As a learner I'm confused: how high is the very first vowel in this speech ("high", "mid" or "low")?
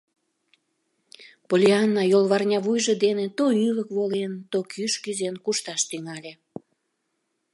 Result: mid